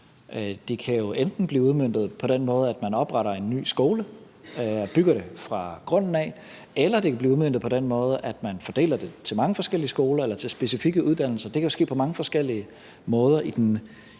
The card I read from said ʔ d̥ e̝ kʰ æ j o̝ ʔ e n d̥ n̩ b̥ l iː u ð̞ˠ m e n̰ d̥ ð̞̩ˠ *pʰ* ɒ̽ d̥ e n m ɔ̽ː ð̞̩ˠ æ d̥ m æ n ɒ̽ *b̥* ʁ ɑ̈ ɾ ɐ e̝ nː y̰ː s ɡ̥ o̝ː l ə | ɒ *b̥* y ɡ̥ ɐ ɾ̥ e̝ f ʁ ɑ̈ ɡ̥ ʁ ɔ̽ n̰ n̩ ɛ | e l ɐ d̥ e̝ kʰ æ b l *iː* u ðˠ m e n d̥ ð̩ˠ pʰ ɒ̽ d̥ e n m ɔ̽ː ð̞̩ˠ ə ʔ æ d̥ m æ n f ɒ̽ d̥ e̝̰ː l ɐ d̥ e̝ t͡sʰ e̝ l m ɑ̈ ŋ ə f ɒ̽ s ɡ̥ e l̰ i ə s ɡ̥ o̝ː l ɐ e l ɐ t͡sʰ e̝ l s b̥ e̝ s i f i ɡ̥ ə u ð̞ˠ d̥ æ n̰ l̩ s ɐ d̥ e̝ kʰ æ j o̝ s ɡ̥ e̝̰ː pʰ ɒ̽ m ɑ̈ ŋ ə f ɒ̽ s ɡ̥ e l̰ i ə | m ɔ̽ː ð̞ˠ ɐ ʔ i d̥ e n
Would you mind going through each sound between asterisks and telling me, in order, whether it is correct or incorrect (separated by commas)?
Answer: correct, correct, correct, correct